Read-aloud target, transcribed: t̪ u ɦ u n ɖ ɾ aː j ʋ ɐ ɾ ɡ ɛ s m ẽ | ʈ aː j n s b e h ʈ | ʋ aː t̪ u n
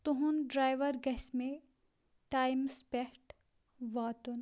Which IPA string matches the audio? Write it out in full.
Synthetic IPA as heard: t̪ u ɦ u n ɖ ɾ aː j ʋ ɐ ɾ ɡ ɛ s m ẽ | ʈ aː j m s p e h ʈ | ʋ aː t̪ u n